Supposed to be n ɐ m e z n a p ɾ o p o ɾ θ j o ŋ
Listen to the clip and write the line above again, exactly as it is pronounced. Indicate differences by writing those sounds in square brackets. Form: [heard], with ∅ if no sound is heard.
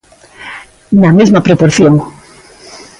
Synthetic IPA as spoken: n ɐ m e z [m] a p ɾ o p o ɾ θ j o ŋ

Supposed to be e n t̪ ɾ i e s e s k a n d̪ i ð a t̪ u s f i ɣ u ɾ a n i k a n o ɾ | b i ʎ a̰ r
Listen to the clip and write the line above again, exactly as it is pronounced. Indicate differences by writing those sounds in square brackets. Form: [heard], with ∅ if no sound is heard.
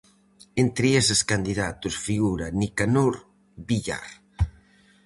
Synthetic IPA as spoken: e n t̪ ɾ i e s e s k a n d̪ i ð a t̪ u s f i ɣ u ɾ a n i k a n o ɾ | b i ʎ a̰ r

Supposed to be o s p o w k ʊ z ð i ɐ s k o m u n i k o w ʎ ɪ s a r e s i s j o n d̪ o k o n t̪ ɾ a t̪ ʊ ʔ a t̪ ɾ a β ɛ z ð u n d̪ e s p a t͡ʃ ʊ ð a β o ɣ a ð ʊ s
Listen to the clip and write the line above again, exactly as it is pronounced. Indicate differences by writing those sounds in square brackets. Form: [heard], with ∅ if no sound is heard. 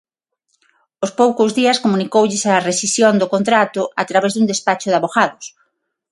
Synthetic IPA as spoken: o s p o w k ʊ z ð i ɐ s k o m u n i k o w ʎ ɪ s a r e s i s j o n d̪ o k o n t̪ ɾ a t̪ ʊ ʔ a t̪ ɾ a β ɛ z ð u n d̪ e s p a t͡ʃ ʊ ð a β o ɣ a ð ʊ s

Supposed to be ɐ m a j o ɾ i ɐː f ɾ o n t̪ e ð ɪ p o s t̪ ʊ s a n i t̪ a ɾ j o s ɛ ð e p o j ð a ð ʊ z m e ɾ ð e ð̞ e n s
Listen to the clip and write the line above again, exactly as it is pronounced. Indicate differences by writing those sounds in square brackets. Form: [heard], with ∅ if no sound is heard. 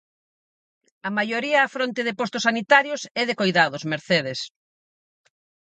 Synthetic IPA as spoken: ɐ m a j o ɾ i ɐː f ɾ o n t̪ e ð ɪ p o s t̪ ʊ s a n i t̪ a ɾ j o s ɛ ð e [k] o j ð a ð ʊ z m e ɾ [θ] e ð̞ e [∅] s

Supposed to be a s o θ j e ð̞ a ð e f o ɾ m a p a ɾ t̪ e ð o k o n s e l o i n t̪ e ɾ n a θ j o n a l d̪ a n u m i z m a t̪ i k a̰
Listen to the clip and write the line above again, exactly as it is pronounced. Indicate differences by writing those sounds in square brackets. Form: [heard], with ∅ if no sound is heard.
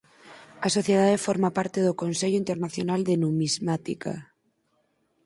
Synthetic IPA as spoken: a s o θ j e ð̞ a ð e f o ɾ m a p a ɾ t̪ e ð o k o n s e [ʎ] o i n t̪ e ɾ n a θ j o n a l d̪ [e] n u m i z m a t̪ i k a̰

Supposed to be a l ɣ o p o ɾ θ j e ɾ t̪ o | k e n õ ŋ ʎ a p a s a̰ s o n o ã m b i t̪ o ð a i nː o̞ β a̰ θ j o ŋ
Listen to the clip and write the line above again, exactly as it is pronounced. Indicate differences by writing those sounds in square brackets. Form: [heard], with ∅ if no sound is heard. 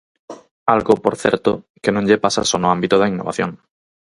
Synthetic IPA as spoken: a l ɣ o p o ɾ θ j e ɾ t̪ o | k e n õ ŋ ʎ [e] p a s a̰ s o n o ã m b i t̪ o ð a i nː o̞ β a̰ θ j o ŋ

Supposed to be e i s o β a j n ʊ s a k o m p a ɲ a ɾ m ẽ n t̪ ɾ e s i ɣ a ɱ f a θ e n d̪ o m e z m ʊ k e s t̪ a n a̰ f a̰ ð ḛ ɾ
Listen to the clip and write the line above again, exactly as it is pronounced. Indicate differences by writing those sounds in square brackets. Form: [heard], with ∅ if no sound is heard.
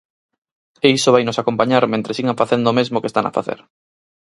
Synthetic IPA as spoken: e i s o β a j n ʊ s a k o m p a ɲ a ɾ m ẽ n t̪ ɾ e s i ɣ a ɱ f a θ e n d̪ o m e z m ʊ k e s t̪ a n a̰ f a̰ [θ] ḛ ɾ

